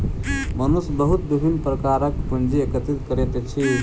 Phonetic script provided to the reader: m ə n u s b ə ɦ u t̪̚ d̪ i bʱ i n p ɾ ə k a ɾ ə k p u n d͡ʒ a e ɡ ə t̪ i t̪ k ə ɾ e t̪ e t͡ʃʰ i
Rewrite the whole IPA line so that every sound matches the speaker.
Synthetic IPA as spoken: m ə n u s b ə ɦ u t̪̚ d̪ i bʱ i n p ɾ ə k a ɾ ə k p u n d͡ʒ i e k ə t̪ i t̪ k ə ɾ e t̪ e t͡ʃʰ i

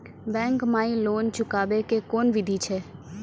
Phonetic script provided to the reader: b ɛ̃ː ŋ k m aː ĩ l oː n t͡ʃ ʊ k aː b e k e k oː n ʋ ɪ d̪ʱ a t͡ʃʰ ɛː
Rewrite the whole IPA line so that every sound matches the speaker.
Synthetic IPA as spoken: b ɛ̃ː ŋ k m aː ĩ l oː n t͡ʃ ʊ k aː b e k e k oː n ʋ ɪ d̪ʱ i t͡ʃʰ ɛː

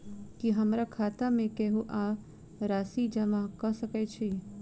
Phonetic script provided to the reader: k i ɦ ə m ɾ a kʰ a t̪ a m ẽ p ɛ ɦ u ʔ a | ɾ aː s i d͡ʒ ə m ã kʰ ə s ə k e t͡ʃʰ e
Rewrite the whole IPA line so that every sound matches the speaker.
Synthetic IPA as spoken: k i ɦ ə m ɾ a kʰ a t̪ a m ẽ k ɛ ɦ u ʔ a | ɾ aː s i d͡ʒ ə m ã k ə s ə k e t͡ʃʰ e

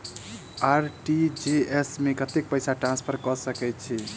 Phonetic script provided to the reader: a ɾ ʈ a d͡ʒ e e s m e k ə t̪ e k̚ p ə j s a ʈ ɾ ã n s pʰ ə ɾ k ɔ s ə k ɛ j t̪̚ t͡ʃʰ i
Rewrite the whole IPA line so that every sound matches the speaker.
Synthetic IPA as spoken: a ɾ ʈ i d͡ʒ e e s m e k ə t̪ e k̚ p ə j s a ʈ ɾ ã n s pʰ ə ɾ k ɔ s ə k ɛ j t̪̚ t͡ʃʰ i

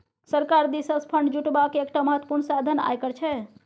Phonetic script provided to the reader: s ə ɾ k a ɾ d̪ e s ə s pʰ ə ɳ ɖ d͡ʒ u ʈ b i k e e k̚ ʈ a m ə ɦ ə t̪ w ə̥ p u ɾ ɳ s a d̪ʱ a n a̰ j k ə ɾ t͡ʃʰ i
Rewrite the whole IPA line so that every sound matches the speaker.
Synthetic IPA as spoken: s ə ɾ k a ɾ d̪ i s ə s pʰ ə ɳ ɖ d͡ʒ u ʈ b a k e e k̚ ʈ a m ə ɦ ə t̪ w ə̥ p u ɾ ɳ s a d̪ʱ ə n a̰ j k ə ɾ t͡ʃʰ ɛ

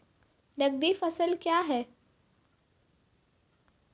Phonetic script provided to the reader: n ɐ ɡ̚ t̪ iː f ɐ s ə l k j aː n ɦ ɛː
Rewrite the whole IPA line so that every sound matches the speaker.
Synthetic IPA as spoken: n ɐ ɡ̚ d̪ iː f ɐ s ə l k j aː ɦ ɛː

